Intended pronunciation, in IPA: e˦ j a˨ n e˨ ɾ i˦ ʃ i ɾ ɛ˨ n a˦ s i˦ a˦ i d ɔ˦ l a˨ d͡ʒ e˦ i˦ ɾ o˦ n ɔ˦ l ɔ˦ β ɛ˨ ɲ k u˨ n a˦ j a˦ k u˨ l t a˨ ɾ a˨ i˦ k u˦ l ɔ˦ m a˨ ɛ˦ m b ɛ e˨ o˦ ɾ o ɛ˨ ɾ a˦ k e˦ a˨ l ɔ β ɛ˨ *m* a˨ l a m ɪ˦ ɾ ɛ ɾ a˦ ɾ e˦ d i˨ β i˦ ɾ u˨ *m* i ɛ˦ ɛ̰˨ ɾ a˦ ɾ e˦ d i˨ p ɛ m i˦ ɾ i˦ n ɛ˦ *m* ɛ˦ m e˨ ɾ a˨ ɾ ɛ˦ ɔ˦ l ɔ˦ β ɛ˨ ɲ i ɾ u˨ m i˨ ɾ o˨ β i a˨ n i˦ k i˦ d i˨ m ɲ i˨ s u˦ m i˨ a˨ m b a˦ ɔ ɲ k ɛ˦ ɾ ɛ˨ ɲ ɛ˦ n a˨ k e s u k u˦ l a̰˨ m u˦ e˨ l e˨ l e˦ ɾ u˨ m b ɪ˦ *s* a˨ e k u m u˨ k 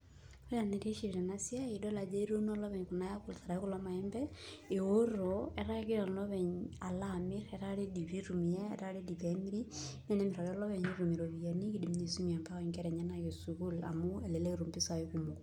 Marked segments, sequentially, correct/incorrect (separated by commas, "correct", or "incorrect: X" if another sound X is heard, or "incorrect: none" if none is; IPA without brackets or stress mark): incorrect: ɲ, correct, incorrect: n, correct